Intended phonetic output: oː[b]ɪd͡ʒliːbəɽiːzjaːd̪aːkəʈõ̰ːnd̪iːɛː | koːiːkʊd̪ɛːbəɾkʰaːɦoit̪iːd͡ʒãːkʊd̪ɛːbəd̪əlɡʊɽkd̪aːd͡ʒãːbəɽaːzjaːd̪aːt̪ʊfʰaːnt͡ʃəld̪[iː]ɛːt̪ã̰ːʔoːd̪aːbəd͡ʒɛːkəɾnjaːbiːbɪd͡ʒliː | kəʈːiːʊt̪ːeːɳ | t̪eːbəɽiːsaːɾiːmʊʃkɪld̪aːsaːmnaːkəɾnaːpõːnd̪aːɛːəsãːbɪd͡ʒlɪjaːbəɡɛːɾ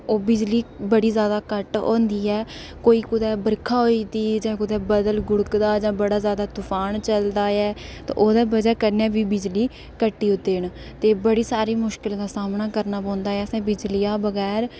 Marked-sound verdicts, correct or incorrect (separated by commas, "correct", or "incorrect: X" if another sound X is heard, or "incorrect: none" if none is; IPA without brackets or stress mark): correct, incorrect: aː